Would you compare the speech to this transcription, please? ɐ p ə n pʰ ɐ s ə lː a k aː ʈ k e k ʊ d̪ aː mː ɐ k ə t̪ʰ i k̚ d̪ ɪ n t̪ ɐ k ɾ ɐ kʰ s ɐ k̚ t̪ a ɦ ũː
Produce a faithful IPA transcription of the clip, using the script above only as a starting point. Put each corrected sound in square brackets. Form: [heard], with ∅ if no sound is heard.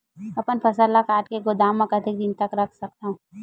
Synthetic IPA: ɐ p ə n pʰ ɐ s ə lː a k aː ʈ k e [ɡ] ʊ d̪ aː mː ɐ k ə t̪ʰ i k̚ d̪ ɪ n t̪ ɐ k ɾ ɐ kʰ s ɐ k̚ t̪ a ɦ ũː

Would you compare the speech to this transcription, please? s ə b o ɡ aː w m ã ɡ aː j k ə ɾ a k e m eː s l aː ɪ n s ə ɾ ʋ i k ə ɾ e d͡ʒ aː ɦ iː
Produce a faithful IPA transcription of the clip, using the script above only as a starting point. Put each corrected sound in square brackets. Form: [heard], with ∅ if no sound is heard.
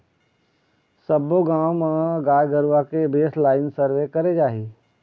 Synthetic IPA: s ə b o ɡ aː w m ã ɡ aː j [ɡ] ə ɾ a k e [b] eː s l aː ɪ n s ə ɾ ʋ [e] k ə ɾ e d͡ʒ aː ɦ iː

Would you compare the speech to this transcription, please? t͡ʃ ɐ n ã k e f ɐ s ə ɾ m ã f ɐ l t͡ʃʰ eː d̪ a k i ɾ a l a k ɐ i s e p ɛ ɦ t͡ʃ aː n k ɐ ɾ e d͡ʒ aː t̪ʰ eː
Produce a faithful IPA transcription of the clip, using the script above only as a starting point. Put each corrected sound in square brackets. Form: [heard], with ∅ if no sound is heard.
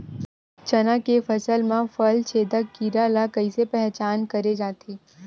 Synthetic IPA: t͡ʃ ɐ n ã k e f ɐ s ə [l] m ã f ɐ l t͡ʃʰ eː d̪ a k i ɾ a l a k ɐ i s e p ɛ ɦ t͡ʃ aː n k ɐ ɾ e d͡ʒ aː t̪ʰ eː

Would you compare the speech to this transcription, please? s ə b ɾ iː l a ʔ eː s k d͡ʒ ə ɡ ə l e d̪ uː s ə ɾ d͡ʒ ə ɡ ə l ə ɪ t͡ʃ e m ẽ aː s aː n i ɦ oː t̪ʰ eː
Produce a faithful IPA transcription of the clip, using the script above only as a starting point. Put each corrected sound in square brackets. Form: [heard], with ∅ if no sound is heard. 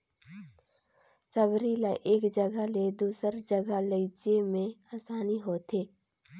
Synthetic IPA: s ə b ɾ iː l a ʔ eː [∅] k d͡ʒ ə ɡ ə l e d̪ uː s ə ɾ d͡ʒ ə ɡ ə l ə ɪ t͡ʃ e m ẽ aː s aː n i ɦ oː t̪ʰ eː

